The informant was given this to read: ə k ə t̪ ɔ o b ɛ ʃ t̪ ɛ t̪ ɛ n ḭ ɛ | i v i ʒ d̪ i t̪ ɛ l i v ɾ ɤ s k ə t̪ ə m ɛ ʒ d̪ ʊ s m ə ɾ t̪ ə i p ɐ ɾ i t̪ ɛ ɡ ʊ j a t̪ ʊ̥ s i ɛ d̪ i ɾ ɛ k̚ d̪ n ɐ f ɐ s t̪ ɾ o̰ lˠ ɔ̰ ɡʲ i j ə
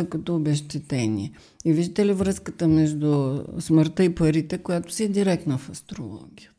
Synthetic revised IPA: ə k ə t̪ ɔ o b ɛ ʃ t̪ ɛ t̪ ɛ n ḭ ɛ | i v i ʒ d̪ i t̪ ɛ l i v ɾ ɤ s k ə t̪ ə m ɛ ʒ d̪ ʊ s m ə ɾ t̪ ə i p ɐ ɾ i t̪ ɛ k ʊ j a t̪ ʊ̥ s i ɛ d̪ i ɾ ɛ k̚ t̪ n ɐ f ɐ s t̪ ɾ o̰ lˠ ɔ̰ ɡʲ i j ə